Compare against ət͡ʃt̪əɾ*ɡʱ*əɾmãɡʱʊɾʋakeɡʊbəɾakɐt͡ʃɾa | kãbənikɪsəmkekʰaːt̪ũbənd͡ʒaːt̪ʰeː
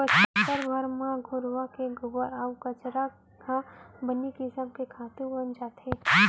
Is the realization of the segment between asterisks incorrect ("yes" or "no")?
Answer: yes